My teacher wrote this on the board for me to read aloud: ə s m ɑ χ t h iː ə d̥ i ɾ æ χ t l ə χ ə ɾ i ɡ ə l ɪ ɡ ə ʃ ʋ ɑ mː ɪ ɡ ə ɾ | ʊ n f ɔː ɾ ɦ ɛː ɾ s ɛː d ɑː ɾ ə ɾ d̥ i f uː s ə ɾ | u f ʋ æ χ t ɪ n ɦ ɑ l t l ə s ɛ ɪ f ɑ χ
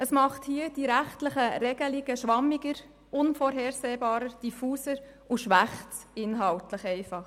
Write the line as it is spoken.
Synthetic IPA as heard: ə s m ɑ χ t h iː ə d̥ i ɾ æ χ t l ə χ ə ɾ ɛ ɡ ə l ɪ ɡ ə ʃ ʋ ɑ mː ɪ ɡ ə ɾ | ʊ n f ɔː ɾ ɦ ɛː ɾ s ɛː b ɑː ɾ ə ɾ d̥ i f uː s ə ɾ | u ʃ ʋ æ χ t ɪ n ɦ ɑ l t l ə χ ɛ ɪ f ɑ χ